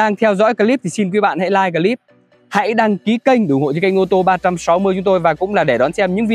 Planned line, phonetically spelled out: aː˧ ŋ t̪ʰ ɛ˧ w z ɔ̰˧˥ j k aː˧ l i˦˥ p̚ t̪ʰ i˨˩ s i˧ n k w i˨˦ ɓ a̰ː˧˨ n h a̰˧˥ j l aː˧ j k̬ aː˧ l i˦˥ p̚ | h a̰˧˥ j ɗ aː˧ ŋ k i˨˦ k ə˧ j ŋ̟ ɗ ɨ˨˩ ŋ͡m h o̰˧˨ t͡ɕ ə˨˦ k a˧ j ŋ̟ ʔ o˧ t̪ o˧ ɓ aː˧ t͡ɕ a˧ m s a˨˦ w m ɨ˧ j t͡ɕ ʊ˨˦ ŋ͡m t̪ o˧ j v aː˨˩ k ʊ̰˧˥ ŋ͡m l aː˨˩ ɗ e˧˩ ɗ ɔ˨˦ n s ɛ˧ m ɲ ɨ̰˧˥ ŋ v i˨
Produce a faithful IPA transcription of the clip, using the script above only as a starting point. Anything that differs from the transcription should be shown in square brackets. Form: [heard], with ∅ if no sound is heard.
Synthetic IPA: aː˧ ŋ t̪ʰ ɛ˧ w z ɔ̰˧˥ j k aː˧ l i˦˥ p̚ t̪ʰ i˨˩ s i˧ n k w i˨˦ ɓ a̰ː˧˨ n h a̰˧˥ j l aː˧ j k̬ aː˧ l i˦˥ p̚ | h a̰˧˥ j ɗ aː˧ ŋ k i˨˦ k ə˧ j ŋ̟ ɗ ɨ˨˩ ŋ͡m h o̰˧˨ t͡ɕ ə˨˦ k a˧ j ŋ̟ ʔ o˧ t̪ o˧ ɓ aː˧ t͡ɕ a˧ m s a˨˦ w m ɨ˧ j t͡ɕ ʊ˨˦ ŋ͡m t̪ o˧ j v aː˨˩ k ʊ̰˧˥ ŋ͡m l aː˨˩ ɗ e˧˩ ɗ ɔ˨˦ n s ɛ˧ m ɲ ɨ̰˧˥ ŋ v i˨